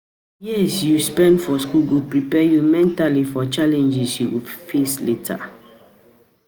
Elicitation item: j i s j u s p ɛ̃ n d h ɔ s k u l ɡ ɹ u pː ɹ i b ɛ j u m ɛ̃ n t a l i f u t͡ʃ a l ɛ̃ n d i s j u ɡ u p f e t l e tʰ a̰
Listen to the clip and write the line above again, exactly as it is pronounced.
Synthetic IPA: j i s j u s p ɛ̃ n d f ɔ s k u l ɡ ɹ u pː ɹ i p ɛ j u m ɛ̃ n t a l i f ɔ t͡ʃ a l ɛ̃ n d͡ʒ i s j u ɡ u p f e s l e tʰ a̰